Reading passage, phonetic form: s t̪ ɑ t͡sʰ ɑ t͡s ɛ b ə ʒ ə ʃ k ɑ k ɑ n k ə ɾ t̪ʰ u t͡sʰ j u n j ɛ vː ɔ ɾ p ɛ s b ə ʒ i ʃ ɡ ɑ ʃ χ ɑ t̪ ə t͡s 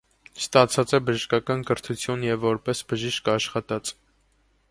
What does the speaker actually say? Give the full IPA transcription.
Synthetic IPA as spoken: s t̪ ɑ t͡sʰ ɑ t͡s ɛ b ə ʒ ə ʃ k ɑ k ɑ n k ə ɾ t̪ʰ u t͡sʰ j u n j ɛ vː ɔ ɾ p ɛ s b ə ʒ i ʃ k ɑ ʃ χ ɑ t̪ ɑ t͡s